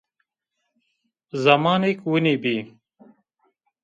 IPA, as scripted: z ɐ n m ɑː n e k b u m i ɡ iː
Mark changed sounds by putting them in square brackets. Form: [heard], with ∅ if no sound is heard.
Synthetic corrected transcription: z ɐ [∅] m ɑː n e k [w] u [n] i [b] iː